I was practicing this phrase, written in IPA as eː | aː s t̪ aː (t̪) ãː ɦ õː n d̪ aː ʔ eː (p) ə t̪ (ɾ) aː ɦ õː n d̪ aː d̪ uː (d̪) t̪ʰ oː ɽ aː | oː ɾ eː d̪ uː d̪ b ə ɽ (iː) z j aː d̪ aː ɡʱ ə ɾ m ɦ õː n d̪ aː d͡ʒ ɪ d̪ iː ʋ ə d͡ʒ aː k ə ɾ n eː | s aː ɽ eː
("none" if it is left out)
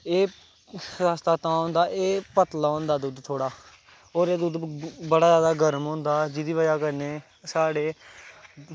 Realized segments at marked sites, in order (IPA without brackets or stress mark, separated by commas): t̪, p, l, d̪, aː